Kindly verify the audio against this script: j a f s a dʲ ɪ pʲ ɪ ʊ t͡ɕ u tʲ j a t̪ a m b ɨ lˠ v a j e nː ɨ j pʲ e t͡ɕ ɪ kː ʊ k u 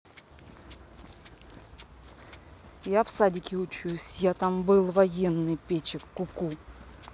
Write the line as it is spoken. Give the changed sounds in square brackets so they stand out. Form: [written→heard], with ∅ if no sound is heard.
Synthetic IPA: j a f s a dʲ ɪ [pʲ→kʲ] ɪ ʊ t͡ɕ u [tʲ→sʲ] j a t̪ a m b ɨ lˠ v [a→ɐ] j e nː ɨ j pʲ e t͡ɕ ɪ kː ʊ k u